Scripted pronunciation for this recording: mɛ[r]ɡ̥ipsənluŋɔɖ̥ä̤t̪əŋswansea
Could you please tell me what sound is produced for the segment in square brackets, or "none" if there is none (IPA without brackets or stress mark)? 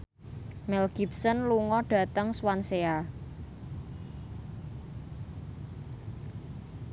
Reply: l